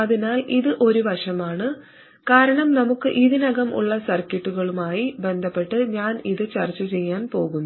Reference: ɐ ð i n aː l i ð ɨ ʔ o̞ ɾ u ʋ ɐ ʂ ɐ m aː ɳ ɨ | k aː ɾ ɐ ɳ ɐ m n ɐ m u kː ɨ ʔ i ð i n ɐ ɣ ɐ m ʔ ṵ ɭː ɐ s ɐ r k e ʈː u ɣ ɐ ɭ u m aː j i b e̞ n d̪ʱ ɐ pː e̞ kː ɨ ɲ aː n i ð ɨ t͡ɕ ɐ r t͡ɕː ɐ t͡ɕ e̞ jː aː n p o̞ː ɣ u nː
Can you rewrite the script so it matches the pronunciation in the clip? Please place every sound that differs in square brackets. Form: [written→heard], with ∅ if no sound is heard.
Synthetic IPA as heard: ɐ ð i n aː l i ð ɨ ʔ o̞ ɾ u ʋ ɐ ʂ ɐ m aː ɳ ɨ | k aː ɾ ɐ ɳ ɐ m n ɐ m u kː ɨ ʔ i ð i n ɐ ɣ ɐ m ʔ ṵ ɭː ɐ s ɐ r k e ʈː u ɣ ɐ ɭ u m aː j i b e̞ n d̪ʱ ɐ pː e̞ [kː→ʈː] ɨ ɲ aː n i ð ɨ t͡ɕ ɐ r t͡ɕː ɐ t͡ɕ e̞ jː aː n p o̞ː ɣ u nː